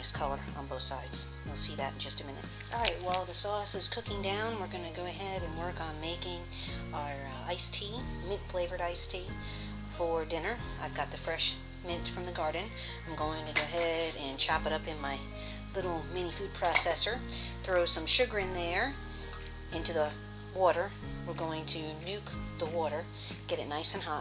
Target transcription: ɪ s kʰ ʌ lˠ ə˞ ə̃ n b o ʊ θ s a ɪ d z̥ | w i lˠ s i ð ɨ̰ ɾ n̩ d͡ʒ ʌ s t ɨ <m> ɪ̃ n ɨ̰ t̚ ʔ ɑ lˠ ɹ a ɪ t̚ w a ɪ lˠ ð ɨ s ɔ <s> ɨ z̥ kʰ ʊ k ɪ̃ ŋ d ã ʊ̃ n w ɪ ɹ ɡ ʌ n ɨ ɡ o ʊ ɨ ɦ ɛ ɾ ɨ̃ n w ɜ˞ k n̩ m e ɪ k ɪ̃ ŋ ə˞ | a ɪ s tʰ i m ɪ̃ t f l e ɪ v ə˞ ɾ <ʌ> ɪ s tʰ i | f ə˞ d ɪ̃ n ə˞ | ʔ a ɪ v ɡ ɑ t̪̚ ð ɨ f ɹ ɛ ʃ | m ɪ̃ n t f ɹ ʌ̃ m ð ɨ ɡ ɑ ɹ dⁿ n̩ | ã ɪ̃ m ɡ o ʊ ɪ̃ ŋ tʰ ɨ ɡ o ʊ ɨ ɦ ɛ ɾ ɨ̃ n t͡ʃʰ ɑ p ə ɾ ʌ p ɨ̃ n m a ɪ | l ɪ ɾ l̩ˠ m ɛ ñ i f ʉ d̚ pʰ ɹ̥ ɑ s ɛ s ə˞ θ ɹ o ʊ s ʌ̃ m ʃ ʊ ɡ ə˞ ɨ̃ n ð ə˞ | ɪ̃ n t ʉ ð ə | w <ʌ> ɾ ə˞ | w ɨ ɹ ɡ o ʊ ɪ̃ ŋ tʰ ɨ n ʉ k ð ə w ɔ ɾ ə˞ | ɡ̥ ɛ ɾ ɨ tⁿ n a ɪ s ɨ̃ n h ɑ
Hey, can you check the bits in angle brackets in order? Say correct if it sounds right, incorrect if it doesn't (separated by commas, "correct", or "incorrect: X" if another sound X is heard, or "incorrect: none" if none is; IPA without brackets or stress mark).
correct, correct, incorrect: a, incorrect: ɔ